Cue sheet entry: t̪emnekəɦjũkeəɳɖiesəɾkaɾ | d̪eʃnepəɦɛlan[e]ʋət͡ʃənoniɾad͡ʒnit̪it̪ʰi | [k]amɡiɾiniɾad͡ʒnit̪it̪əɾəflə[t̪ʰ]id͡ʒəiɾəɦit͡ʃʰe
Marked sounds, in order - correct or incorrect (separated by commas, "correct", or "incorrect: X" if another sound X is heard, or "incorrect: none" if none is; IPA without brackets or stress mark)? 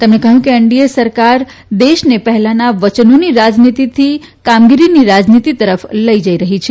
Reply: incorrect: a, correct, incorrect: none